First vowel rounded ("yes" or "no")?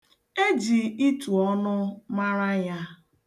no